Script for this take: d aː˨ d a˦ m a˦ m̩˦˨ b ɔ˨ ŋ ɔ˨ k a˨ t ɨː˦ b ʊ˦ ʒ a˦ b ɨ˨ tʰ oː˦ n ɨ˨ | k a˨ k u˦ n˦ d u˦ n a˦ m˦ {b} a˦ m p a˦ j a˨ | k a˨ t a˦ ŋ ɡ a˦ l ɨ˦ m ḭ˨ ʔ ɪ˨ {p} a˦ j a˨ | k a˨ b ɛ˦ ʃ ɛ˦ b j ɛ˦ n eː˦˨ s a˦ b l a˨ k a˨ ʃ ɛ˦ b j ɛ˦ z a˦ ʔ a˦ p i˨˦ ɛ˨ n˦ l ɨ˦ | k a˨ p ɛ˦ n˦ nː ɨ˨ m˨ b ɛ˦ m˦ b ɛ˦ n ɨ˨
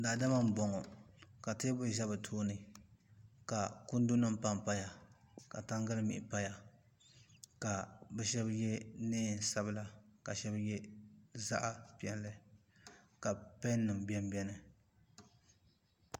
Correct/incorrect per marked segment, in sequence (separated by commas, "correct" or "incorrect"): incorrect, correct